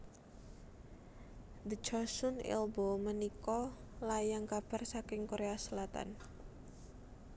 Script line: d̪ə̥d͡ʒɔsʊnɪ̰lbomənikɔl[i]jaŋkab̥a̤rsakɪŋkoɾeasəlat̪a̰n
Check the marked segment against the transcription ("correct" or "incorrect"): incorrect